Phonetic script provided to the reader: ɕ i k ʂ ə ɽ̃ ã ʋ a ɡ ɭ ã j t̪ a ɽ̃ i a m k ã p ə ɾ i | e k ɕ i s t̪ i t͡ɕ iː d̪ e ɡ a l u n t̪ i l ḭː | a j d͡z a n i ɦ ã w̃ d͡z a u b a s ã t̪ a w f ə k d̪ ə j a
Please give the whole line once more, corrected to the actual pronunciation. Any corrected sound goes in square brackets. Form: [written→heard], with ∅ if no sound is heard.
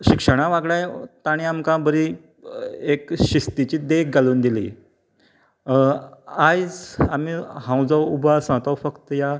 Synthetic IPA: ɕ i k ʂ ə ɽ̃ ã ʋ a ɡ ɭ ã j t̪ a ɽ̃ i a m k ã [p→b] ə ɾ i | e k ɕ i s t̪ i t͡ɕ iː d̪ e ɡ a l [u→uː] n [t̪→d̪] i l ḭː | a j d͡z a [n→m] i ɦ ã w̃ d͡z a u b a s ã t̪ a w f ə k [d̪→t̪] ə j a